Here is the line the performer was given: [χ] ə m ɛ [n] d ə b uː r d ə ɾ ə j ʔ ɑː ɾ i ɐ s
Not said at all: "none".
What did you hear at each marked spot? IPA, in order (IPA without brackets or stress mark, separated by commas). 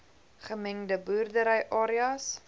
χ, ŋ